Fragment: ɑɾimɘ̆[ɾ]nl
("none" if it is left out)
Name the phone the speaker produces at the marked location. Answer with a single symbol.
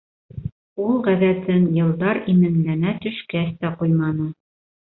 none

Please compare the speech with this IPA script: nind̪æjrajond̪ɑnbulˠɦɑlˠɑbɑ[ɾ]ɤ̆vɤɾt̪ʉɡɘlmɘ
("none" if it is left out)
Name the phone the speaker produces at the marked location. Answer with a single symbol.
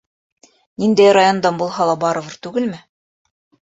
ɾ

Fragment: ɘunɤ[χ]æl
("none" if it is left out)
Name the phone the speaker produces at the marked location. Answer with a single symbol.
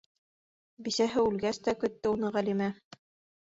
ʁ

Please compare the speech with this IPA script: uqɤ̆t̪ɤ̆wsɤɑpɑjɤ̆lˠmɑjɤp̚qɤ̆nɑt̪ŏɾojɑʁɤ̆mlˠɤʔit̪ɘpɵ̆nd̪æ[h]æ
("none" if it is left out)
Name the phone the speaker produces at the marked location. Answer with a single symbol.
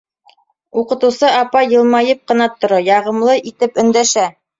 ʃ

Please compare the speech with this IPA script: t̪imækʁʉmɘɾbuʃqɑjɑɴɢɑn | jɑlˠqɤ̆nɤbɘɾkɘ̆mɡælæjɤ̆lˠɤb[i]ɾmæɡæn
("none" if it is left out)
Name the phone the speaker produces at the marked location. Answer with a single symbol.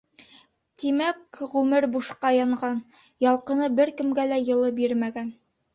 i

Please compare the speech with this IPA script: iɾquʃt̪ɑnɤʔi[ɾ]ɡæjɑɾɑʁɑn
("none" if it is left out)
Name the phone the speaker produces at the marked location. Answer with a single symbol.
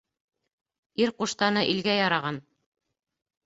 l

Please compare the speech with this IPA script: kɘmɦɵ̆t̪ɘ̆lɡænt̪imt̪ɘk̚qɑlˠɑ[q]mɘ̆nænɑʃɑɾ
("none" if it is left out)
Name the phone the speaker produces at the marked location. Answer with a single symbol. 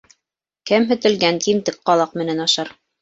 q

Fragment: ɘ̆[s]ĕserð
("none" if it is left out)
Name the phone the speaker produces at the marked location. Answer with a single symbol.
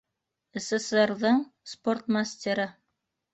s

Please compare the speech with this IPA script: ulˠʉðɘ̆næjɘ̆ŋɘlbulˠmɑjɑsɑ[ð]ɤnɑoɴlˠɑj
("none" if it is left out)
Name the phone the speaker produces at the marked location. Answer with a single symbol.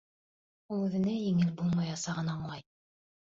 ʁ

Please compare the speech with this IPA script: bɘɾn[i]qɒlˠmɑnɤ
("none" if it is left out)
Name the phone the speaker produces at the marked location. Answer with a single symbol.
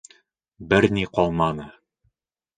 i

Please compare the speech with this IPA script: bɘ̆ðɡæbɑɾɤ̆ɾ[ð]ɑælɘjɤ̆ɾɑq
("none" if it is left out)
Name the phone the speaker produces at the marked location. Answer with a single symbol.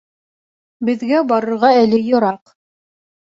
ʁ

